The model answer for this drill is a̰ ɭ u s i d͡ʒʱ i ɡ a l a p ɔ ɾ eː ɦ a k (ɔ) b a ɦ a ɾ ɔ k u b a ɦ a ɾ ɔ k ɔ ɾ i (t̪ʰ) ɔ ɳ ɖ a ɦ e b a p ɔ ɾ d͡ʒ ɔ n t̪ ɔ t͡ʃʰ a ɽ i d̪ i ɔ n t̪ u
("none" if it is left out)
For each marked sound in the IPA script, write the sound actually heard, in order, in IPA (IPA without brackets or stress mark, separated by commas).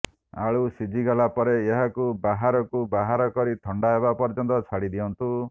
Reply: u, t̪ʰ